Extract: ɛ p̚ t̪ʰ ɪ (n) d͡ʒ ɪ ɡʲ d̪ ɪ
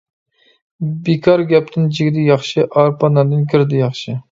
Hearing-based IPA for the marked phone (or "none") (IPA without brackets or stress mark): n